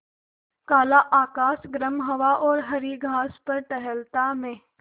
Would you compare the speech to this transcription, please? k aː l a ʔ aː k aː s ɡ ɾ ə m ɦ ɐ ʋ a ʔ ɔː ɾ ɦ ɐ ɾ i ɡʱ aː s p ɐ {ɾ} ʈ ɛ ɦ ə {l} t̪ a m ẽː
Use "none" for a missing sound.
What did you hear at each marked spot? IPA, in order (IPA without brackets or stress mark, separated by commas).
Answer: ɾ, l